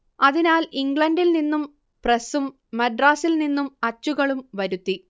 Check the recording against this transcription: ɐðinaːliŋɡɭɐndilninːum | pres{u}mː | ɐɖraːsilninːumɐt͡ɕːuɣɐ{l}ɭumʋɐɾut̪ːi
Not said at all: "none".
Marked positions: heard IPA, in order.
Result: u, none

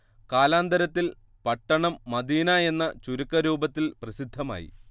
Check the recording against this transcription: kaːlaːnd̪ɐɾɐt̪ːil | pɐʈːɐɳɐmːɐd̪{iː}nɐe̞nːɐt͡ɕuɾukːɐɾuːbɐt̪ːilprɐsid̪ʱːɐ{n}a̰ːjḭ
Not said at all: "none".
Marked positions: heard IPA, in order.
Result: iː, m

